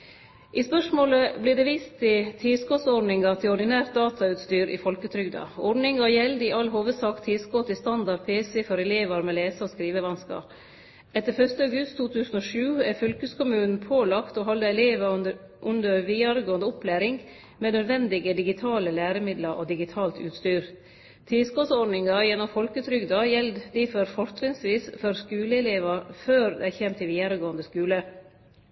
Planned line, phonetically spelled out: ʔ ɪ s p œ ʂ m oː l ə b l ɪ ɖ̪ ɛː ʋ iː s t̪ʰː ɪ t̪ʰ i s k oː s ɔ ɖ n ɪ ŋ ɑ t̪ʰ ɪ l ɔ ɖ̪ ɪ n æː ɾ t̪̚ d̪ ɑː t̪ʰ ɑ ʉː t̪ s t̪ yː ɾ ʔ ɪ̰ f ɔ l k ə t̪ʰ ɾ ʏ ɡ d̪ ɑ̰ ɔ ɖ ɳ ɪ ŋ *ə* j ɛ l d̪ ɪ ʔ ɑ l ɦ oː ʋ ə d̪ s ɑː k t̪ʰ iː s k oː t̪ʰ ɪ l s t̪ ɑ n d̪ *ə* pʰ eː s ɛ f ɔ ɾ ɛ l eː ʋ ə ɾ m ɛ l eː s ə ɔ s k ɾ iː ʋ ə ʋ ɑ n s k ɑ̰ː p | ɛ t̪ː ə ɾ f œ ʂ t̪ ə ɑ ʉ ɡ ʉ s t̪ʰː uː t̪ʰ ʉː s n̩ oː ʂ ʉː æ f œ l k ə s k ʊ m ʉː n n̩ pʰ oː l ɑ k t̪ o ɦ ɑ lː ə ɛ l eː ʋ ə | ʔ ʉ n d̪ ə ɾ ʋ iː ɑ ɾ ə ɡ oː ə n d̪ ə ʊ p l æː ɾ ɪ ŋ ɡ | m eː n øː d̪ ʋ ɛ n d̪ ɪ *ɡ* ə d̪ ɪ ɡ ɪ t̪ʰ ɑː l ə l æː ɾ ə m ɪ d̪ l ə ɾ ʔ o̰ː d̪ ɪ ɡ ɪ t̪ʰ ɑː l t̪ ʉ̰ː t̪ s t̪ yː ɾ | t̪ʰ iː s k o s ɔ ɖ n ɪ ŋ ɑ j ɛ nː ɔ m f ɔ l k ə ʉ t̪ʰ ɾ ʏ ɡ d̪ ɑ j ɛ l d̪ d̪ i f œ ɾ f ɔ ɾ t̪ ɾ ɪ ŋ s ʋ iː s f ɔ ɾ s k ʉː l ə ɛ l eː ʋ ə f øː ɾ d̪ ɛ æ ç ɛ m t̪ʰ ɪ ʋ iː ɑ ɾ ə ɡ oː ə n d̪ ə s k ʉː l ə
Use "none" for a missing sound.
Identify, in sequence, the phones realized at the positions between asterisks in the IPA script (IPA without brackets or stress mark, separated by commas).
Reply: ɑ, ɑ, ɡ